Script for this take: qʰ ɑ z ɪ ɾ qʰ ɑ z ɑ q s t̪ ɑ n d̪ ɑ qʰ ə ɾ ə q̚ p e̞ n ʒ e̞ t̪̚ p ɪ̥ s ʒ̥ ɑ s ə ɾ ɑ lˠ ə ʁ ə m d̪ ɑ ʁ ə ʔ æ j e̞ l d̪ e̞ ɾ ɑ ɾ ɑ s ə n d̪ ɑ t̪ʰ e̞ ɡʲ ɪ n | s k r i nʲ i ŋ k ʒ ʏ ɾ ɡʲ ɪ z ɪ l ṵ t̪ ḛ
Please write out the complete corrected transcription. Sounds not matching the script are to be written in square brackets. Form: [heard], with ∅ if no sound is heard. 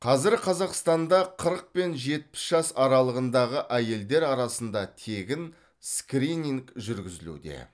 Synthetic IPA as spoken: qʰ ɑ z ɪ ɾ qʰ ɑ z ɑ q s t̪ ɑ n d̪ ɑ qʰ ə ɾ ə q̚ p e̞ n ʒ e̞ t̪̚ p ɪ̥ s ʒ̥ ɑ s [ɑ] ɾ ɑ lˠ ə ʁ ə [n] d̪ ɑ ʁ ə ʔ æ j e̞ l d̪ e̞ ɾ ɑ ɾ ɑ s ə n d̪ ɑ t̪ʰ e̞ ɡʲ ɪ n | s k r i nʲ i ŋ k ʒ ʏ ɾ ɡʲ ɪ z ɪ l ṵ [d̪] ḛ

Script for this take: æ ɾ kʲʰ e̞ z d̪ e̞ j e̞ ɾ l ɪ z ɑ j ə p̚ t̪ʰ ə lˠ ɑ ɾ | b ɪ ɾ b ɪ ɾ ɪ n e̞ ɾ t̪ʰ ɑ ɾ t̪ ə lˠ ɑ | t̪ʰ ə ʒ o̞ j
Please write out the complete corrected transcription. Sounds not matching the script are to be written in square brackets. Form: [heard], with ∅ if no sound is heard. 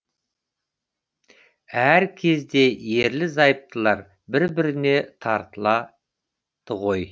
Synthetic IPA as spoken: æ ɾ kʲʰ e̞ z d̪ e̞ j e̞ ɾ l ɪ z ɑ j ə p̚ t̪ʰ ə lˠ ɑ ɾ | b ɪ ɾ b ɪ ɾ ɪ n e̞ [∅] t̪ʰ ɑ ɾ t̪ ə lˠ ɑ | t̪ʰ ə [ʁ] o̞ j

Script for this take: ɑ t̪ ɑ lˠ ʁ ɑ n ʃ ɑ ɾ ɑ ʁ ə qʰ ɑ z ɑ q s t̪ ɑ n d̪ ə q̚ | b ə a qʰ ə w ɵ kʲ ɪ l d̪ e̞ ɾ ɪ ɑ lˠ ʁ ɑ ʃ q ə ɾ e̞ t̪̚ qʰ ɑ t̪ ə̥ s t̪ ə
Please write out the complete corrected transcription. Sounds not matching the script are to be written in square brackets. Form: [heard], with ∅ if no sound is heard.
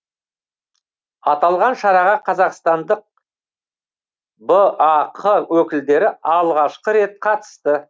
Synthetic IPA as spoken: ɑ t̪ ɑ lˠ ʁ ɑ n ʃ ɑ ɾ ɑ ʁ [ɑ] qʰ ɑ z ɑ q s t̪ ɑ n d̪ ə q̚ | b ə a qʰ ə w ɵ kʲ ɪ l d̪ e̞ ɾ ɪ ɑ lˠ ʁ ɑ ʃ q ə ɾ e̞ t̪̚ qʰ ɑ t̪ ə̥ s t̪ ə

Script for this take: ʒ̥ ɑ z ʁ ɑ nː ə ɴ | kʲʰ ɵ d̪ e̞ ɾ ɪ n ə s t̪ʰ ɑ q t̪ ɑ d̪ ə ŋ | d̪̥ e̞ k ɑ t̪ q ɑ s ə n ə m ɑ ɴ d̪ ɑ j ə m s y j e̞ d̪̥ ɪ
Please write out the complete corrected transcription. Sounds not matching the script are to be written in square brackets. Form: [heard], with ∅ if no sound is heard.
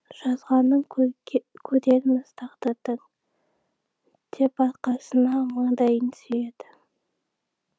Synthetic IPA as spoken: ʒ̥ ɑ z ʁ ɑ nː ə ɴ | kʲʰ ɵ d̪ e̞ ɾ ɪ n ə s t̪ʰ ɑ q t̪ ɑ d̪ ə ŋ | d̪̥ e̞ [p] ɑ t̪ q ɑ s ə n [ɑ] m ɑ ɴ d̪ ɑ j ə [n] s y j e̞ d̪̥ ɪ

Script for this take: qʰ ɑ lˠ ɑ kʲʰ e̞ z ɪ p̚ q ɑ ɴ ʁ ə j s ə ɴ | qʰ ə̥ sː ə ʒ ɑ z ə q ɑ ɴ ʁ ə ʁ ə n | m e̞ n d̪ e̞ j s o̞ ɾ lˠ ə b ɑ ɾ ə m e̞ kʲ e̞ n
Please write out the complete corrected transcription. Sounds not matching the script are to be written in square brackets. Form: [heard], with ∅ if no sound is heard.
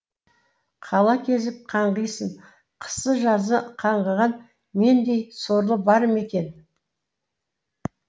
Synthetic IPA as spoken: qʰ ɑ lˠ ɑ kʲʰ e̞ z ɪ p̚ [qʰ] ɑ ɴ ʁ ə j s ə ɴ | qʰ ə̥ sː ə ʒ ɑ z ə [qʰ] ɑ ɴ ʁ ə ʁ [ɑ] n | m e̞ n d̪ e̞ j s o̞ ɾ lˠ ə b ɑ ɾ ə m e̞ kʲ e̞ n

